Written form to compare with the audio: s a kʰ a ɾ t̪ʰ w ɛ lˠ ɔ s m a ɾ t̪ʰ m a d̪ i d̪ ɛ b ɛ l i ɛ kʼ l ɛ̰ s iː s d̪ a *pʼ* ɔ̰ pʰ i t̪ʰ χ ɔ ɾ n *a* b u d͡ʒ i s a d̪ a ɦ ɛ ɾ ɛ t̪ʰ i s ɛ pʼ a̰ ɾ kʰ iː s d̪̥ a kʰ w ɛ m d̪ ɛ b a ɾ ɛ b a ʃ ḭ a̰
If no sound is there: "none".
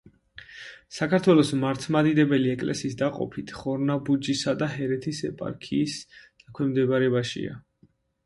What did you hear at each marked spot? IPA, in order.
qʼ, a

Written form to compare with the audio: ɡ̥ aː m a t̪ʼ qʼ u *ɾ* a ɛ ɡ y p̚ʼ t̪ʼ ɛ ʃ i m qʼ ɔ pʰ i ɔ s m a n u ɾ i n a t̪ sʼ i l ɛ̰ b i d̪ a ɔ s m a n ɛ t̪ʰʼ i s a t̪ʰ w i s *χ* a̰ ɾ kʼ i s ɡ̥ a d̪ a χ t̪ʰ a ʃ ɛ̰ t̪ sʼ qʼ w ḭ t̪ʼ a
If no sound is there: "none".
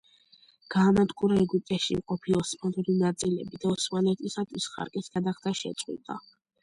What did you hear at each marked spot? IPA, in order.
ɾ, χ

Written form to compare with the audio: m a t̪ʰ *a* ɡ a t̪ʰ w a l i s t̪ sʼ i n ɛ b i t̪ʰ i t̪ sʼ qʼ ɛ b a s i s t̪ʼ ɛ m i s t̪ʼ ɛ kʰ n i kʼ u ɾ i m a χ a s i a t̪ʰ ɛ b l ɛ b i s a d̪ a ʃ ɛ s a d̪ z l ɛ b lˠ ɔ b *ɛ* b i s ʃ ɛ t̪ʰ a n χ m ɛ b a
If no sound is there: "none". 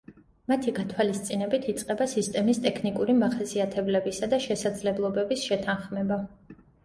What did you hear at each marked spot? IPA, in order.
i, ɛ

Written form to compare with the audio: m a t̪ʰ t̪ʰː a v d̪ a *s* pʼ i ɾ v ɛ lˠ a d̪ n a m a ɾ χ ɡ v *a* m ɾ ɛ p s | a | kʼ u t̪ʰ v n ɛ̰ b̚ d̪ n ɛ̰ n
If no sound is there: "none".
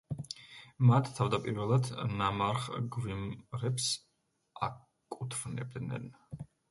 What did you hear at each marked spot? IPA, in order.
none, i

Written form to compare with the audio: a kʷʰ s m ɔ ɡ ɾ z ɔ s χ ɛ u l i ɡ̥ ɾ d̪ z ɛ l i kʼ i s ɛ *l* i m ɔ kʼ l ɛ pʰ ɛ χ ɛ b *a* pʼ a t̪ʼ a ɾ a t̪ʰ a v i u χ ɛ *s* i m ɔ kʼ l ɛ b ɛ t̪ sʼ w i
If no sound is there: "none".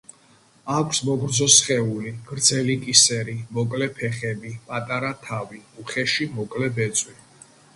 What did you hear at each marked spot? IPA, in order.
ɾ, i, ʃ

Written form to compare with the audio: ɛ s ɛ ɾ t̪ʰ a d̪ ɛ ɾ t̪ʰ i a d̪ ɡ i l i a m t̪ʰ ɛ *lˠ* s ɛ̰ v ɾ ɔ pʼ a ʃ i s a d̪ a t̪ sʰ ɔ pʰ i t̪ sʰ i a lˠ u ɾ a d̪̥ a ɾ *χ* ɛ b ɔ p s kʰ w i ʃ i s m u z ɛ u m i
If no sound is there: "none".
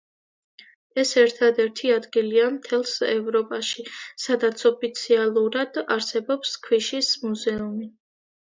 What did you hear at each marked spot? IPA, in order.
lˠ, s

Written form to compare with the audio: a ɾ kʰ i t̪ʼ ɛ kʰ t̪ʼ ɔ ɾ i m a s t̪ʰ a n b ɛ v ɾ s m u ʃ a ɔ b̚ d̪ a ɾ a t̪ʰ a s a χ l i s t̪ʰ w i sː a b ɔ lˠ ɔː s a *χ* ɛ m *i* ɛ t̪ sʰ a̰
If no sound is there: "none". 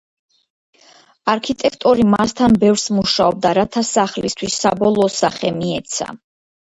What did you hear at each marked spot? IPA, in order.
χ, i

